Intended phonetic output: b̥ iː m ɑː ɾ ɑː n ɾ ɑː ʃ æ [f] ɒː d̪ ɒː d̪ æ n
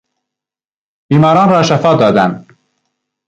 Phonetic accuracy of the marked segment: correct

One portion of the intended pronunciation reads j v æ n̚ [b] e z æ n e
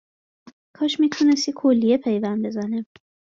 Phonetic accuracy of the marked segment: correct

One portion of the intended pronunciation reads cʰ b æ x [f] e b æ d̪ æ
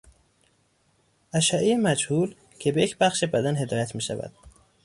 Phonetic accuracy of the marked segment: incorrect: ʃ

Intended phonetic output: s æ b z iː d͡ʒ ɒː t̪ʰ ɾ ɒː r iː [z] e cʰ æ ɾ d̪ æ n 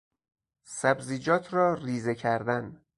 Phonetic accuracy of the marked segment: correct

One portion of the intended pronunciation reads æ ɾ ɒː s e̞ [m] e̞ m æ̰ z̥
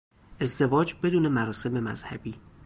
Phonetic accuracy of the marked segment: correct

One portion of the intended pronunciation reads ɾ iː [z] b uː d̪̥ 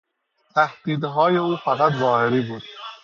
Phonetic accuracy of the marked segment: incorrect: none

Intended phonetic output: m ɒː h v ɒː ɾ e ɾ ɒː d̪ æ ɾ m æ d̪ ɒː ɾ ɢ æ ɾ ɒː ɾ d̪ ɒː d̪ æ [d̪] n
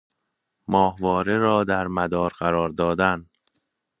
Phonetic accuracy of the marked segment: incorrect: none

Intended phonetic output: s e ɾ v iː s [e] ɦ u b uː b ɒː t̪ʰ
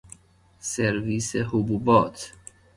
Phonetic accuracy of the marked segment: correct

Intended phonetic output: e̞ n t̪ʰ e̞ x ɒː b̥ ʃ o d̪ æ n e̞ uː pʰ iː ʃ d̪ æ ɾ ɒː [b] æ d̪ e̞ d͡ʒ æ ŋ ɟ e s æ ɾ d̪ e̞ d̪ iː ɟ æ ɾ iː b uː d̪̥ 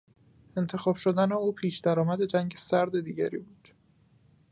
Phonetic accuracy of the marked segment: incorrect: m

